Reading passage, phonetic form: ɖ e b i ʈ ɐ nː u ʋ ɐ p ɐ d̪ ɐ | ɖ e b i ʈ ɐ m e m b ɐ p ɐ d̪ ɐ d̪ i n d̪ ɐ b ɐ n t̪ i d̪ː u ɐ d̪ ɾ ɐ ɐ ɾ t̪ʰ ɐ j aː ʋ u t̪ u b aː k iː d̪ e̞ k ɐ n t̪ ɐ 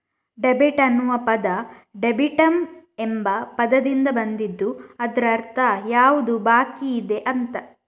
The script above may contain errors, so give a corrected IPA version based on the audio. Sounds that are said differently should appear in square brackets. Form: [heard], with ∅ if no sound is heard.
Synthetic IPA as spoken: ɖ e b i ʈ ɐ nː u ʋ ɐ p ɐ d̪ ɐ | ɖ e b i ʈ ɐ m e m b ɐ p ɐ d̪ ɐ d̪ i n d̪ ɐ b ɐ n [d̪] i d̪ː u ɐ d̪ ɾ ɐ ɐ ɾ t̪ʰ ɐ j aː ʋ u [d̪] u b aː k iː d̪ e̞ [ʔ] ɐ n t̪ ɐ

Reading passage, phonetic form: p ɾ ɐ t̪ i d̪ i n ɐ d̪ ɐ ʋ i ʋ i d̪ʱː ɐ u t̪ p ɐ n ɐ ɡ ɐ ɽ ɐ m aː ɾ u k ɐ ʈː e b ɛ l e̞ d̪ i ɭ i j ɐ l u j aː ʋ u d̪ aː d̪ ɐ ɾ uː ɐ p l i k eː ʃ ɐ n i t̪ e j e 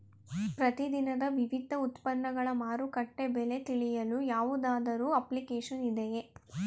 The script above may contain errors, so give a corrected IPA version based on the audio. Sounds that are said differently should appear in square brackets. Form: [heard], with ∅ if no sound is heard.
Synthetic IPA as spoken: p ɾ ɐ t̪ i d̪ i n ɐ d̪ ɐ ʋ i ʋ i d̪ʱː ɐ u t̪ p ɐ [nː] ɐ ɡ ɐ [ɭ] ɐ m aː ɾ u k ɐ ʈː e b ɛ l e̞ [t̪] i ɭ i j ɐ l u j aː ʋ u d̪ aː d̪ ɐ ɾ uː ɐ p l i k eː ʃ ɐ n i [d̪] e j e

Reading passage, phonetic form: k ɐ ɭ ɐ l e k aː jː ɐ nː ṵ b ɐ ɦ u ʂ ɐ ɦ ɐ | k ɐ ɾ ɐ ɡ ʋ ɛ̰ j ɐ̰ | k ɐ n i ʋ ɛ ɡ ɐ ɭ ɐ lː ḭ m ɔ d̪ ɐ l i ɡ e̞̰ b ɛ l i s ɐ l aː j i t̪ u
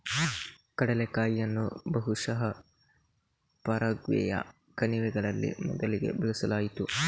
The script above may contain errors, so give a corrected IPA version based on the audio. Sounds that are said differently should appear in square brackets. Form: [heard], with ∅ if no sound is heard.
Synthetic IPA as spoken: k ɐ [ɽ] ɐ l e k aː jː ɐ nː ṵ b ɐ ɦ u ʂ ɐ ɦ ɐ | [p] ɐ ɾ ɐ ɡ ʋ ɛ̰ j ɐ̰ | k ɐ n i ʋ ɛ ɡ ɐ ɭ ɐ lː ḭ m ɔ d̪ ɐ l i ɡ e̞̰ b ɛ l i s ɐ l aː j i t̪ u

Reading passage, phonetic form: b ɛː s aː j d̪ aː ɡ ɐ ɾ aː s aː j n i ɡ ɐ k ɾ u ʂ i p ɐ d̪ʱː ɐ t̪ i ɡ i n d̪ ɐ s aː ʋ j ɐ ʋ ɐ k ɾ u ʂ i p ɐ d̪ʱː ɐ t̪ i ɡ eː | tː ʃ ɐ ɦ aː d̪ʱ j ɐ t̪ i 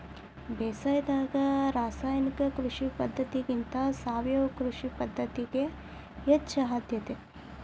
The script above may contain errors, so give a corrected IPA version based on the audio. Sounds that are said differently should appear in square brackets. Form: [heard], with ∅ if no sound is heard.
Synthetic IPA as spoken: b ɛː s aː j d̪ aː ɡ ɐ ɾ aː s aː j n i [k] ɐ k ɾ u ʂ i p ɐ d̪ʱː ɐ t̪ i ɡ i n [t̪] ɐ s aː ʋ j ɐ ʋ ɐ k ɾ u ʂ i p ɐ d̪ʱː ɐ t̪ i ɡ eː | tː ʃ ɐ ɦ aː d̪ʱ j ɐ t̪ [e]

